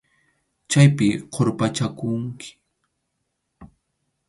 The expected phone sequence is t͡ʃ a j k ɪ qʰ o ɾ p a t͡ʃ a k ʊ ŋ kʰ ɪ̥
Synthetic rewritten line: t͡ʃ a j p ɪ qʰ o ɾ p a t͡ʃ a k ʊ ŋ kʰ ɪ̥